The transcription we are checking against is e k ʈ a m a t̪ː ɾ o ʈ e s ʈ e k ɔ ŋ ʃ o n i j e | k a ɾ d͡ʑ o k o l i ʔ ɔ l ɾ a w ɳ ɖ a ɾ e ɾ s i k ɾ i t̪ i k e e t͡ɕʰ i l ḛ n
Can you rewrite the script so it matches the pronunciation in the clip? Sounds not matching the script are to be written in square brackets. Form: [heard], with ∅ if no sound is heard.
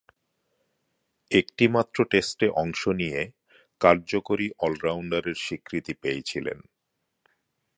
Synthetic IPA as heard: e k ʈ [i] m a t̪ː ɾ o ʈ e s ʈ e [ʔ] ɔ ŋ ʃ o n i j e | k a ɾ d͡ʑ o k o [ɾ] i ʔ ɔ l ɾ a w ɳ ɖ a ɾ e ɾ [ʃ] i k ɾ i t̪ i [p] e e t͡ɕʰ i l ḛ n